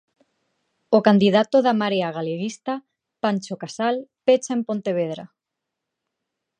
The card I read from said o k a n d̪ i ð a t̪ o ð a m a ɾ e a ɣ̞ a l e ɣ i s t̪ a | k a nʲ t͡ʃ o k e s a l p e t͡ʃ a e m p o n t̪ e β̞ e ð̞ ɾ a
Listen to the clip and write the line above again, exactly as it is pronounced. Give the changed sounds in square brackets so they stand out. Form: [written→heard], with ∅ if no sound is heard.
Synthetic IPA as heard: o k a n d̪ i ð a t̪ o ð a m a ɾ e a ɣ̞ a l e ɣ i s t̪ a | [k→p] a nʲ t͡ʃ o k [e→a] s a l p e t͡ʃ a e m p o n t̪ e β̞ e ð̞ ɾ a